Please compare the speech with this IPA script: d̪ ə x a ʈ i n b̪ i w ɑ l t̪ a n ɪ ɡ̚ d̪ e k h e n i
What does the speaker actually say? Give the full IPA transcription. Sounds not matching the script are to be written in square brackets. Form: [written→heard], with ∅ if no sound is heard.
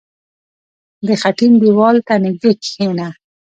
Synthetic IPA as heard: d̪ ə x a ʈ i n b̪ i w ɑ l t̪ a n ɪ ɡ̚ d̪ e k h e n [i→a]